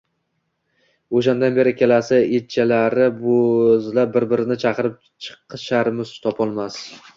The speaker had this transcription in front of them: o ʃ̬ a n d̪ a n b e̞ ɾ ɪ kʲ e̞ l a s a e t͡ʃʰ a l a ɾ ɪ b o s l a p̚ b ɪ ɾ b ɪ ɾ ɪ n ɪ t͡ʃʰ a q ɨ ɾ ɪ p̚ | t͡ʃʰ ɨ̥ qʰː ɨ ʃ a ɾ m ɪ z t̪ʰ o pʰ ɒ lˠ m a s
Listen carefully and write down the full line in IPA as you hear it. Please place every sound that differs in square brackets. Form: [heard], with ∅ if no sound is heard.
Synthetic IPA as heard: o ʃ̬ a n d̪ a n b e̞ ɾ ɪ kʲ e̞ l a s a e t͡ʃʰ a l a ɾ ɪ b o [z] l a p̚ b ɪ ɾ b ɪ ɾ ɪ n ɪ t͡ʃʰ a q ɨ ɾ ɪ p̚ | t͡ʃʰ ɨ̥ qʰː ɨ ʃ a ɾ m ɪ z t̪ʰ [ɒ] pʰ ɒ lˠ m a s